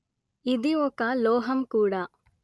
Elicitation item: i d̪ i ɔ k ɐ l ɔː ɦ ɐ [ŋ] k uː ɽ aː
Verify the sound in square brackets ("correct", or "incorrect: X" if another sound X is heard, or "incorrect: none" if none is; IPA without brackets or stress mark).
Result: incorrect: m